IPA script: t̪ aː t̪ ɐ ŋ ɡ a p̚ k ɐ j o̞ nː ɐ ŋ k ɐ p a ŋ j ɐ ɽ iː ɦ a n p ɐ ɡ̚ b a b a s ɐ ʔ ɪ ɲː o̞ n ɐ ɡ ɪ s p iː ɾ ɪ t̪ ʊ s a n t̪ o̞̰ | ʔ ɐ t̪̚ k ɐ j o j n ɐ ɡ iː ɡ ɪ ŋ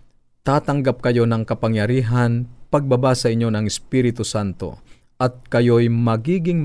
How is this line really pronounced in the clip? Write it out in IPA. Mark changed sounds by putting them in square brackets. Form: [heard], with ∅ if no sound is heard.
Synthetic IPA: t̪ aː t̪ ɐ ŋ ɡ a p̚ k ɐ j o̞ [n] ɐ ŋ k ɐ p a ŋ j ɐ [ɾ] iː ɦ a n p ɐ ɡ̚ b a b a s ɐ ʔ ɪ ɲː o̞ n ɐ [ŋ] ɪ s p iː ɾ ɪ t̪ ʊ s a n t̪ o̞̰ | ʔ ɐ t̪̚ k ɐ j o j [m] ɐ ɡ iː ɡ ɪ ŋ